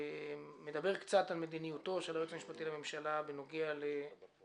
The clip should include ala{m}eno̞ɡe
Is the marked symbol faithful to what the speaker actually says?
no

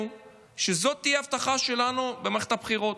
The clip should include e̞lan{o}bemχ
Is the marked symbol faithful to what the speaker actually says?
no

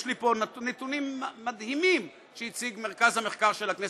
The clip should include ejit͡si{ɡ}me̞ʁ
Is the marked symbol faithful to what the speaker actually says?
yes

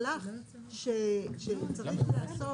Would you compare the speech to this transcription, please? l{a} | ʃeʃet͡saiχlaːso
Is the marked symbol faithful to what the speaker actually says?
yes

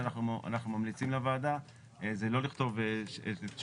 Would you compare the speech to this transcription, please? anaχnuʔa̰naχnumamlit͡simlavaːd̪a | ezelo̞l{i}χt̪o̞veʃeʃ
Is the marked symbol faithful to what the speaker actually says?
yes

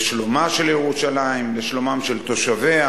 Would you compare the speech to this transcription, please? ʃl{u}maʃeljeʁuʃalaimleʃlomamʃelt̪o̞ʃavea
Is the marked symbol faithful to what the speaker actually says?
no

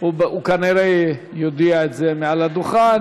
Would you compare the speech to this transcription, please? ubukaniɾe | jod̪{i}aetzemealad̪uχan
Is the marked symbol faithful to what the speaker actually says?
yes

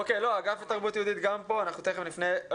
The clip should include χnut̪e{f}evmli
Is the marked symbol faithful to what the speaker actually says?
no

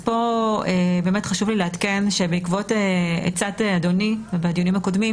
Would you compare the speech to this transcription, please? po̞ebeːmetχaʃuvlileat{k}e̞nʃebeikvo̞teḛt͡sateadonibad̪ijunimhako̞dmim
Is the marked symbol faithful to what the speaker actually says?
yes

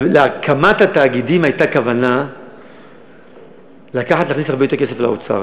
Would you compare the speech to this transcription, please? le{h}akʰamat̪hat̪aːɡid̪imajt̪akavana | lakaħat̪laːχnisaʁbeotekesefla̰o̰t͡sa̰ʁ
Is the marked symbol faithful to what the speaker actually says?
no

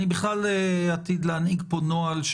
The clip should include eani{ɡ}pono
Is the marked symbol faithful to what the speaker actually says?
yes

